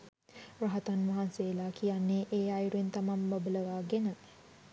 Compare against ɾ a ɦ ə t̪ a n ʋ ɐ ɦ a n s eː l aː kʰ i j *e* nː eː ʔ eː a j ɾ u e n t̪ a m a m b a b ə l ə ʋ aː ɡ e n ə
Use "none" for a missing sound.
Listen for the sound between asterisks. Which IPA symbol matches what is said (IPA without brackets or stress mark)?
a